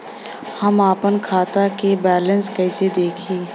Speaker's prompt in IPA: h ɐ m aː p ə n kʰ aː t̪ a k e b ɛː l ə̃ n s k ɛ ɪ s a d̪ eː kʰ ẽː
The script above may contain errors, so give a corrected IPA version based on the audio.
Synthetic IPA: h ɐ m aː p ə n kʰ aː t̪ a k e b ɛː l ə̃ n s k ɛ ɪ s e d̪ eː kʰ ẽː